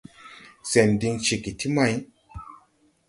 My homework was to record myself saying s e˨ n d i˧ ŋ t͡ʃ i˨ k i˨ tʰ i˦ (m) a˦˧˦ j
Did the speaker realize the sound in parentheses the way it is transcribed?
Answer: yes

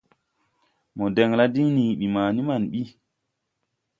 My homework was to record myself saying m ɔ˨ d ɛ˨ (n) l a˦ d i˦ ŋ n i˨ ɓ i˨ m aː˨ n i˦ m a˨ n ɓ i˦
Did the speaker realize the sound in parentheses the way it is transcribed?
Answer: no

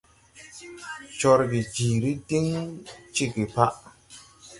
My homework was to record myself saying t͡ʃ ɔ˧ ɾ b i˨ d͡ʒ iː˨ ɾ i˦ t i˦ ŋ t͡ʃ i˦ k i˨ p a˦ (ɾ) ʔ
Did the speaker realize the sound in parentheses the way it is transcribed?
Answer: no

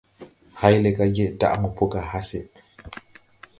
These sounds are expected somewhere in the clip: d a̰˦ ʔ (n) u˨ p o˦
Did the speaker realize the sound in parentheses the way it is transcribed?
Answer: no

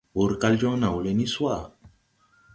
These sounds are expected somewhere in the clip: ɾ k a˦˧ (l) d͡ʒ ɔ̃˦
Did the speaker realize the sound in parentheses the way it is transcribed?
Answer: yes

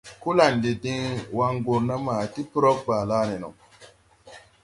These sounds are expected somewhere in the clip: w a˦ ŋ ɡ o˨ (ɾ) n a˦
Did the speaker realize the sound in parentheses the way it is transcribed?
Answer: yes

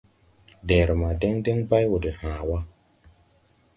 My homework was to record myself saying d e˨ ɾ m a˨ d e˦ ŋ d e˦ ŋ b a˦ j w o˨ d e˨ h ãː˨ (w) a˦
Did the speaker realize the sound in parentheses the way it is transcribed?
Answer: yes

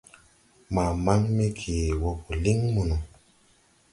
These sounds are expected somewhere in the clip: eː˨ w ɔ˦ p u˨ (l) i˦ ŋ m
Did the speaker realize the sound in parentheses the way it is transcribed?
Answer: yes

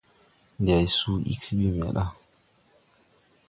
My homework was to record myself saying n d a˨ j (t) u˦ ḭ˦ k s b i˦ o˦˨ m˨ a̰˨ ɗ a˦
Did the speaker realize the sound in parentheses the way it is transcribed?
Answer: no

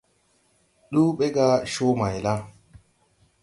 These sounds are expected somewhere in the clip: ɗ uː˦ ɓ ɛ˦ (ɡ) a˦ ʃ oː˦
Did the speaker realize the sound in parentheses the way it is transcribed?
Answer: yes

